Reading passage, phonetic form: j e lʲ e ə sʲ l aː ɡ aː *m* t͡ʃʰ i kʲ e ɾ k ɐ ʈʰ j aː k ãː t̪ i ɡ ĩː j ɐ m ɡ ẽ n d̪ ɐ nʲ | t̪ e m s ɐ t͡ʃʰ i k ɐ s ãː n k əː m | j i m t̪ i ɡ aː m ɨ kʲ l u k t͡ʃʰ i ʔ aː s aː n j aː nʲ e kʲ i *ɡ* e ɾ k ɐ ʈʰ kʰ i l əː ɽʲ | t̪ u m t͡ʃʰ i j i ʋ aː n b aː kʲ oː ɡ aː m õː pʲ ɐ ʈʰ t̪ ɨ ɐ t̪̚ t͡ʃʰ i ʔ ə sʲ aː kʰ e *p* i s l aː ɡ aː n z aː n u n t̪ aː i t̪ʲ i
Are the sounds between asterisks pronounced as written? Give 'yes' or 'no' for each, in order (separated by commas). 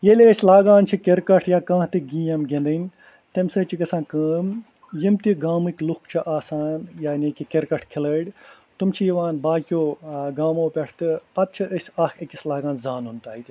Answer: no, no, no